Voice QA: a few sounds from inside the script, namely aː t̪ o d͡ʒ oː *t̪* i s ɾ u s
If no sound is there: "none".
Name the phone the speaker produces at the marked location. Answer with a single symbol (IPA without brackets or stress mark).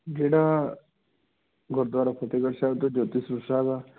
t̪